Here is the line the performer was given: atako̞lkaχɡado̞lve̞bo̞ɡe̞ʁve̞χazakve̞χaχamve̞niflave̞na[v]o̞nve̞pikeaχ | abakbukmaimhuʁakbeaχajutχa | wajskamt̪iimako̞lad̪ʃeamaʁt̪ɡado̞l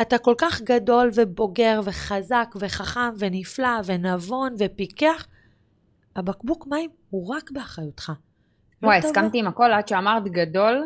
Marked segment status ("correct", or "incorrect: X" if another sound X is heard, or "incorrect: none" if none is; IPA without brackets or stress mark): correct